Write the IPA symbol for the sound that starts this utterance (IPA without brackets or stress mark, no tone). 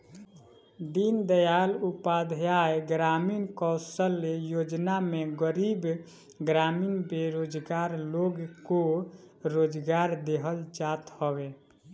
d̪